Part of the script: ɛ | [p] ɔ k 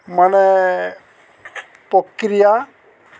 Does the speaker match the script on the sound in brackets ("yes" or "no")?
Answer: yes